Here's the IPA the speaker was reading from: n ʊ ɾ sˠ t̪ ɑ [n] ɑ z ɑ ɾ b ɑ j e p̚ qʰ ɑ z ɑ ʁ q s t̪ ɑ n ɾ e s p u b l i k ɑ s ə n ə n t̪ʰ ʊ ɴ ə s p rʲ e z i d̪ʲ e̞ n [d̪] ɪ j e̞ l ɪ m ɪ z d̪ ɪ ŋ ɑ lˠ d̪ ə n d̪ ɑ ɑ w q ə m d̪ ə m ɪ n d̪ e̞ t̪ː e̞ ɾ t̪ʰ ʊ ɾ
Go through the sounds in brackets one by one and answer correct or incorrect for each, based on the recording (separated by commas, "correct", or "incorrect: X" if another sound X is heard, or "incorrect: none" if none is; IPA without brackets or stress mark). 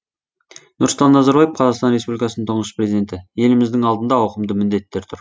incorrect: nː, incorrect: t̪